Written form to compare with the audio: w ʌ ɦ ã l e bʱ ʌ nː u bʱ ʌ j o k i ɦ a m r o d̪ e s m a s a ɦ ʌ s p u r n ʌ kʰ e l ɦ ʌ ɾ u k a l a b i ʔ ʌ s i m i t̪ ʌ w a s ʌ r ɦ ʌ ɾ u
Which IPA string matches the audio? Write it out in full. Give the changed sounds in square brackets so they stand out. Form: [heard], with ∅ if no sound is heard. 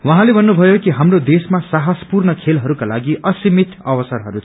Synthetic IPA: w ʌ ɦ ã l e bʱ ʌ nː u bʱ ʌ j o k i ɦ a m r o d̪ e s m a s a ɦ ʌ s p u r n ʌ kʰ e l ɦ ʌ ɾ u k a l a [ɡ] i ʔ ʌ s i m i t̪ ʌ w [ʌ] s ʌ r ɦ ʌ ɾ u